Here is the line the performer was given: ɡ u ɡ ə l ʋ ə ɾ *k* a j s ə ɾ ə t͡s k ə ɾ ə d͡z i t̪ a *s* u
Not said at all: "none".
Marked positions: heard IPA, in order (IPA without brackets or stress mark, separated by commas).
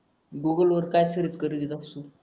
k, s